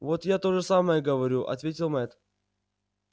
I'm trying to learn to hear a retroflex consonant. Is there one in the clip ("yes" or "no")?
yes